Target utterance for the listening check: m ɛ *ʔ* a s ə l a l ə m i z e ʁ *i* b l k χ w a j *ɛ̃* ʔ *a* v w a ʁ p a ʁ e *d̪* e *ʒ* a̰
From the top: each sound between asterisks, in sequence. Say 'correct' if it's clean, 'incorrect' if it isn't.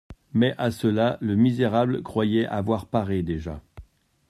correct, incorrect: a, incorrect: ɛ, correct, correct, correct

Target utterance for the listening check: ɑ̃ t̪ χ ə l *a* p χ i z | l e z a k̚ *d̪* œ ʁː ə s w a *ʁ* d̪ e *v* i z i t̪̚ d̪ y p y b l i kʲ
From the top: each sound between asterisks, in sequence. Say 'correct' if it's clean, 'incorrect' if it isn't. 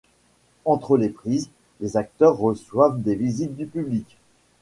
incorrect: e, incorrect: t̪, incorrect: v, correct

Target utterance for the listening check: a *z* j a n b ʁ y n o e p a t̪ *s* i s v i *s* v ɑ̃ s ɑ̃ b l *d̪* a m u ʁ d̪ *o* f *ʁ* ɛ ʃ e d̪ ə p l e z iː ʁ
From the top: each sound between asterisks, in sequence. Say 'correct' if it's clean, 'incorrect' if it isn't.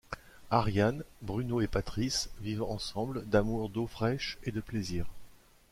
incorrect: ʁ, incorrect: χ, incorrect: none, correct, correct, incorrect: χ

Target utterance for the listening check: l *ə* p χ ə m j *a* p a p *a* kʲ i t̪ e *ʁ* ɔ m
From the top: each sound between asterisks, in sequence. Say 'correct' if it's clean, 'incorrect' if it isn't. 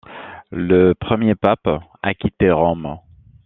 correct, incorrect: e, correct, correct

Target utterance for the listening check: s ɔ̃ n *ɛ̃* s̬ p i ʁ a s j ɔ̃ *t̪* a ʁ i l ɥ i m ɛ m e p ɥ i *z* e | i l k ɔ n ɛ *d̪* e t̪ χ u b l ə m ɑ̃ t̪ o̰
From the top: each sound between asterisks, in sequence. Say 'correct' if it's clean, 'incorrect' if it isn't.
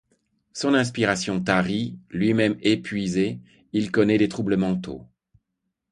correct, correct, correct, correct

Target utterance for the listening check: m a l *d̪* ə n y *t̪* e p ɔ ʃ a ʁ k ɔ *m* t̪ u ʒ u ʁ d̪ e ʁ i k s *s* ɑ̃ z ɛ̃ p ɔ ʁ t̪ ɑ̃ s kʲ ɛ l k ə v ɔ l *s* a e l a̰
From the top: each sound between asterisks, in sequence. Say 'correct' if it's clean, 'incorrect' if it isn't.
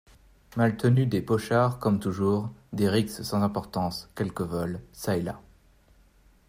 incorrect: t̪, incorrect: d̪, correct, correct, correct

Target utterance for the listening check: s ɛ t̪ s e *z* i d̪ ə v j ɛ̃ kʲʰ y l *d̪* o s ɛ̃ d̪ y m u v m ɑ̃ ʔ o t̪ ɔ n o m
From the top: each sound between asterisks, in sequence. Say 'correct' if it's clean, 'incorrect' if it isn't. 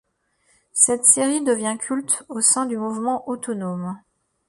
incorrect: ʁ, incorrect: t̪

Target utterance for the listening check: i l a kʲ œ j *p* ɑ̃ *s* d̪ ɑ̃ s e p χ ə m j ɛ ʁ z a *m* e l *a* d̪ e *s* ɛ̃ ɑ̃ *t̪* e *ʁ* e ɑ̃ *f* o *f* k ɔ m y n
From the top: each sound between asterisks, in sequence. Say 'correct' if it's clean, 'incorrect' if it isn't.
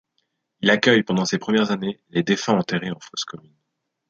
correct, incorrect: none, incorrect: n, incorrect: e, incorrect: f, correct, correct, correct, incorrect: s

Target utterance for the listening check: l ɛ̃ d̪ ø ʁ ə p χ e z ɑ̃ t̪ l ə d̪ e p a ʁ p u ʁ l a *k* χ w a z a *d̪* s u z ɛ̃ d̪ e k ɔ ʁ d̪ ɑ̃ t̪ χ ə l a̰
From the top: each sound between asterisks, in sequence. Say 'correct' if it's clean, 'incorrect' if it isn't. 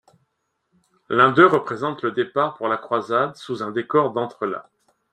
correct, correct

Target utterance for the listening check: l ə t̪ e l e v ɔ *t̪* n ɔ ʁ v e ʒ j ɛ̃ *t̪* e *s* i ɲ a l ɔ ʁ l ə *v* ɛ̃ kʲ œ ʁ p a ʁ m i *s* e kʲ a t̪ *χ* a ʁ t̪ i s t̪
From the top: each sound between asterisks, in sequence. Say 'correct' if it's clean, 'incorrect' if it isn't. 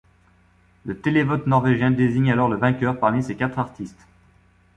correct, incorrect: d̪, incorrect: z, correct, correct, correct

